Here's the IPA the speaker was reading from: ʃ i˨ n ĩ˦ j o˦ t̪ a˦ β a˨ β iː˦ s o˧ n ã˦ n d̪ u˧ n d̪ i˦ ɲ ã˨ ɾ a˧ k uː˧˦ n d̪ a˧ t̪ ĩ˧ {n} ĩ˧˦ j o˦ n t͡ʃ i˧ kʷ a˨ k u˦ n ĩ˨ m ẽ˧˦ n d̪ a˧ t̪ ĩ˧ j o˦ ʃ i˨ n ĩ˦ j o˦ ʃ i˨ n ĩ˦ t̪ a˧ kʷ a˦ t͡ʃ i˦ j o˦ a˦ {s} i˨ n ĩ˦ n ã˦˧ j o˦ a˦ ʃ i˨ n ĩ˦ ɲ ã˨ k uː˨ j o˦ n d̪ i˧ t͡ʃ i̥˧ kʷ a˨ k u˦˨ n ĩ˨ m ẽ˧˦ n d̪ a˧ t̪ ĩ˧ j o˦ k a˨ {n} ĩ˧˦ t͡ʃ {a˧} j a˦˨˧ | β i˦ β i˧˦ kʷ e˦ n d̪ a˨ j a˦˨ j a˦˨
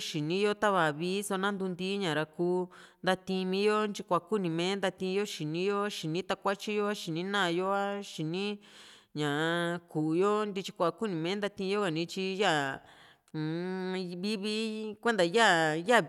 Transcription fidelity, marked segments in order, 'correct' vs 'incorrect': incorrect: m, incorrect: ʃ, correct, incorrect: i˧

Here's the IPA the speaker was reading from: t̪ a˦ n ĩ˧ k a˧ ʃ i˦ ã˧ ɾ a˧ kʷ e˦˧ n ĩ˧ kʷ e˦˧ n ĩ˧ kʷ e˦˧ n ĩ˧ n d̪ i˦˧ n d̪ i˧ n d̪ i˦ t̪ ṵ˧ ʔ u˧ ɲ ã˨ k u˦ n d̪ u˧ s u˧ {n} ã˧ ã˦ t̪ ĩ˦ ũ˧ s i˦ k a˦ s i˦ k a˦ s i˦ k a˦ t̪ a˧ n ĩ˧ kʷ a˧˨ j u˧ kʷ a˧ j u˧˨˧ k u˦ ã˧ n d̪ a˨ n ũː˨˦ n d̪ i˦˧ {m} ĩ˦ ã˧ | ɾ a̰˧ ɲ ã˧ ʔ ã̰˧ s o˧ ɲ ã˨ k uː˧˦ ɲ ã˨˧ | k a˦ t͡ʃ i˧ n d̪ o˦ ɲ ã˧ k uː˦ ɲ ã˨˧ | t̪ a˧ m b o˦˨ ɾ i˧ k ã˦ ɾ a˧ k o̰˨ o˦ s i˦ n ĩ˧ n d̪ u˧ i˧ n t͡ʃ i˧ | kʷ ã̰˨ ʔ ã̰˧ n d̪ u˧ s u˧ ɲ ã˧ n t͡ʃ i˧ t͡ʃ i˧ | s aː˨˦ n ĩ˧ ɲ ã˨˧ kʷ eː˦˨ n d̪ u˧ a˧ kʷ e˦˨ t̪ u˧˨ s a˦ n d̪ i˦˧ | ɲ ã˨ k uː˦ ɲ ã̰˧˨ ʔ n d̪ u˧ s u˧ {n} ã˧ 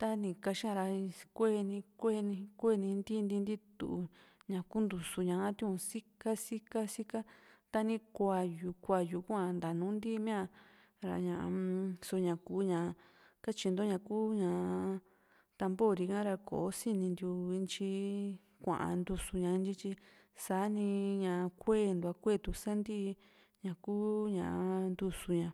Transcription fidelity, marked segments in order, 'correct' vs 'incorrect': incorrect: ɲ, correct, incorrect: ɲ

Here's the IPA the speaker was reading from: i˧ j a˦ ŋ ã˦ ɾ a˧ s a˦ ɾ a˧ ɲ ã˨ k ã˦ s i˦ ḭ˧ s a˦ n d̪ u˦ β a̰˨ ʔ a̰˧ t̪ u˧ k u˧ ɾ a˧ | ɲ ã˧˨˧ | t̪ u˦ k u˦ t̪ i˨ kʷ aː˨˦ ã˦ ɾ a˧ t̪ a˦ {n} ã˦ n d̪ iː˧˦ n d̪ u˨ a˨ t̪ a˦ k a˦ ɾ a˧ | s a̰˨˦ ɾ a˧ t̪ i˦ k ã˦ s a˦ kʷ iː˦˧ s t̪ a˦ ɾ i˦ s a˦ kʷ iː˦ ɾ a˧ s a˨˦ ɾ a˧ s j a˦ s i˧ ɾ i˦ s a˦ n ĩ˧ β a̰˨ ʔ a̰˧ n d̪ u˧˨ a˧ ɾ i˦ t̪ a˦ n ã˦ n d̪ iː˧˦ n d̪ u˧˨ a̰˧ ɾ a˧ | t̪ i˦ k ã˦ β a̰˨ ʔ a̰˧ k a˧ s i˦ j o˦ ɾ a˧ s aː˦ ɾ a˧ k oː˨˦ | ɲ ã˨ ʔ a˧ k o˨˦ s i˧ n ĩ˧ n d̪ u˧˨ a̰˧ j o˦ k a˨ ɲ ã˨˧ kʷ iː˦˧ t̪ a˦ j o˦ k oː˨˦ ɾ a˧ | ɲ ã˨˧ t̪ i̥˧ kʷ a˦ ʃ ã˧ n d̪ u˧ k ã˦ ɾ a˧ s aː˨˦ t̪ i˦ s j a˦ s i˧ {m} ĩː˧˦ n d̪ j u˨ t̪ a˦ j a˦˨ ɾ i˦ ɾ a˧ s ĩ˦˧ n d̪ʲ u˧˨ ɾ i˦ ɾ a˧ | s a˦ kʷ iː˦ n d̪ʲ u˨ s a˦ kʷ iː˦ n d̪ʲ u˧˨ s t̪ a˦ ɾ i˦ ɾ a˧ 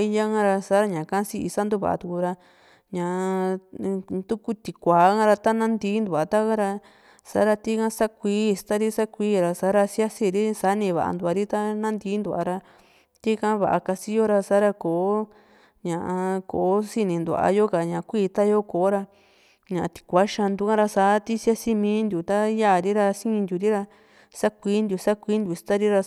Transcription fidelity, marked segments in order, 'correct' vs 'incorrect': correct, correct

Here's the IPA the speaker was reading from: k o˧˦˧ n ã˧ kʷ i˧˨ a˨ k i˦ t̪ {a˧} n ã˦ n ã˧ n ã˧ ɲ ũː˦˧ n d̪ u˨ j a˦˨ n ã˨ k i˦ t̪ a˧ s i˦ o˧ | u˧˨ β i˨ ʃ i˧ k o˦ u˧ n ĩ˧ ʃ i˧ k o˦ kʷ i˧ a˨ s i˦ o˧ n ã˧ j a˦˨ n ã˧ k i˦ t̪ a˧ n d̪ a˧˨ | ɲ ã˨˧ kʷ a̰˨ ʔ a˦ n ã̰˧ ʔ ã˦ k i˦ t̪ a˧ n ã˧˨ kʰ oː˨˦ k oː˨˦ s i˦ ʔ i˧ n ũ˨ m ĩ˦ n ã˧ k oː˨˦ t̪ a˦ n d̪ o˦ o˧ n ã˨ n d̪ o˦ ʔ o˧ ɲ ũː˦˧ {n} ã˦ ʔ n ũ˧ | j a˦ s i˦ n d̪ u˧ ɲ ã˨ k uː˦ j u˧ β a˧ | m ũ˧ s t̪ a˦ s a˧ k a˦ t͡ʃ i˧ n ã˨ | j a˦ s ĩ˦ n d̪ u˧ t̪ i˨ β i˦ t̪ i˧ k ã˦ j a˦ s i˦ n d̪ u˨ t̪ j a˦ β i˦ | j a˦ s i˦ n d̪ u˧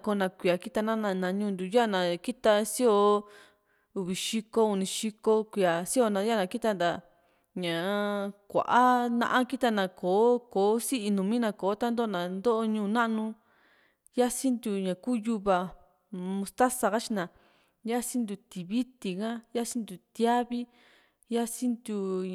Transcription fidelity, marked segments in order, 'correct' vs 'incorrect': correct, correct

